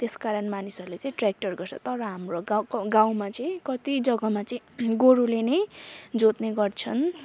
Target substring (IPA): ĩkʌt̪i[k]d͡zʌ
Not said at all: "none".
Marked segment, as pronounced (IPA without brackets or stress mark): none